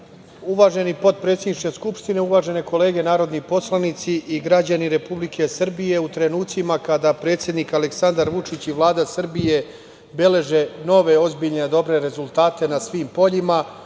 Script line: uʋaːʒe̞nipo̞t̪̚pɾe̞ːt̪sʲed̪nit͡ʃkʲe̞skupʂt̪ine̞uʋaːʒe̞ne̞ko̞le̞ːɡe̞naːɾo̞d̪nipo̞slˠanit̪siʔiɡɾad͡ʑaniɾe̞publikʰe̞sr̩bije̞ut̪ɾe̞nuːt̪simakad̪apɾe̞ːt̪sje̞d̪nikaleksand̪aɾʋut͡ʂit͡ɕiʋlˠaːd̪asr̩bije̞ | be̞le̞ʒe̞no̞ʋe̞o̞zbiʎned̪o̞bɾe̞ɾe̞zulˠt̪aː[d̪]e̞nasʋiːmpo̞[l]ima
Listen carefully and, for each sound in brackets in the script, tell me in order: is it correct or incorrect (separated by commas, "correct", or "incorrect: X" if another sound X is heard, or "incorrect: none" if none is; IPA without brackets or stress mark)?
incorrect: t̪, incorrect: ʎ